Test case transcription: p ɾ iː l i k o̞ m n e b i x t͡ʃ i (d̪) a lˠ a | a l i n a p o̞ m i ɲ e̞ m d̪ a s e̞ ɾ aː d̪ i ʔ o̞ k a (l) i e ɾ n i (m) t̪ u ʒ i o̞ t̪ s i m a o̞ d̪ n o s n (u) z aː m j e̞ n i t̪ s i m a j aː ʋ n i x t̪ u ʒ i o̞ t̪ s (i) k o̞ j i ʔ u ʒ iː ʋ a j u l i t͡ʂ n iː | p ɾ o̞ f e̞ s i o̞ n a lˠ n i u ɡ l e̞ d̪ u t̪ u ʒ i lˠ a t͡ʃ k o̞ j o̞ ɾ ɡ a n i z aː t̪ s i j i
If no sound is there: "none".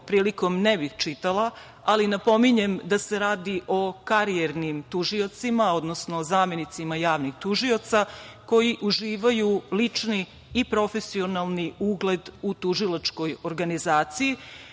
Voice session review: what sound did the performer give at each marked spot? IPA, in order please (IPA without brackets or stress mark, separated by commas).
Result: t̪, ɾ, m, o, a